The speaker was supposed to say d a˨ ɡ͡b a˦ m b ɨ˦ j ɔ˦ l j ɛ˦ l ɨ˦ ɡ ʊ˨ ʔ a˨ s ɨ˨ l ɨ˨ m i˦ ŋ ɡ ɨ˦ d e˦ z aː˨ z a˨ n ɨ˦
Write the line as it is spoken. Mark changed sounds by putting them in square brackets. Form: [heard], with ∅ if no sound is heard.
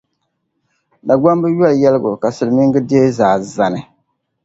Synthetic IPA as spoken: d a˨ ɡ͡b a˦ m b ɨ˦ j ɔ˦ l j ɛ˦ l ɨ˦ ɡ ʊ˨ [k] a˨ s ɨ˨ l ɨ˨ m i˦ ŋ ɡ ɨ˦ d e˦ z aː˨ z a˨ n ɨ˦